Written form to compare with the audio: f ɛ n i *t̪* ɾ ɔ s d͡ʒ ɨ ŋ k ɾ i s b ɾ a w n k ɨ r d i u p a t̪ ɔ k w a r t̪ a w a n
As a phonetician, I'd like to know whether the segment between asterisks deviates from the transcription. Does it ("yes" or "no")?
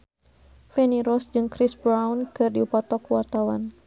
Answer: yes